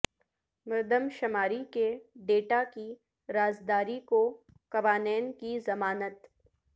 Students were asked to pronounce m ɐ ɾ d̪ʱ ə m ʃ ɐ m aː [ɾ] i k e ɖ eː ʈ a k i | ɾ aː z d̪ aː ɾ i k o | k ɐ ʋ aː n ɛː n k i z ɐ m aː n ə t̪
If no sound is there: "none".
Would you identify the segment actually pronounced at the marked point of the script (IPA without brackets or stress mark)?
ɾ